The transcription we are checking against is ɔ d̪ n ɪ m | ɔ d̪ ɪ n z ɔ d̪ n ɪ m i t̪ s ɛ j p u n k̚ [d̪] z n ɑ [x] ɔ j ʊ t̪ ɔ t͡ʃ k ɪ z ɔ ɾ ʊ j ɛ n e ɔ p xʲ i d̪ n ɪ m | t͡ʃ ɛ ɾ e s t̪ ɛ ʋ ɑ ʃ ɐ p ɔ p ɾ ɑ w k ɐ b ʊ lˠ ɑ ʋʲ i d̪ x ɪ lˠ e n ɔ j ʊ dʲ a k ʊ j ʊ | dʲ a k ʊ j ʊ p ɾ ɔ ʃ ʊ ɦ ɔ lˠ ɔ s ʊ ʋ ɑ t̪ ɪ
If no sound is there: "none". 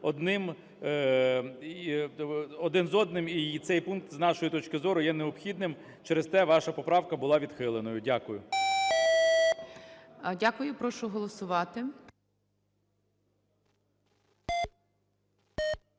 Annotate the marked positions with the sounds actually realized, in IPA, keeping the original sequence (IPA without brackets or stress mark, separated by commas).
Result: t̪, ʃ